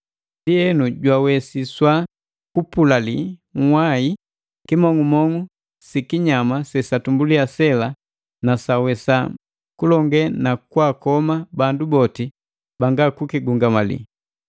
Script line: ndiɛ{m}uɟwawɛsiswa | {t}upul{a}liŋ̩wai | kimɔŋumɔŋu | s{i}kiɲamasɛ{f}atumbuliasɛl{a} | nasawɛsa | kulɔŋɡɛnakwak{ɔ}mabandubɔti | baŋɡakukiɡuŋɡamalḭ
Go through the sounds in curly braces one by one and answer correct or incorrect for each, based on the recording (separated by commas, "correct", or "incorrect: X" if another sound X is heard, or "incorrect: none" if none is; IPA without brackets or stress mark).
incorrect: n, incorrect: k, correct, correct, incorrect: s, correct, correct